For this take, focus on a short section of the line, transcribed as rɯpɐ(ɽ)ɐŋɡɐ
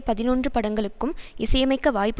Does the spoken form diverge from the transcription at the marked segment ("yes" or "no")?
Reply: no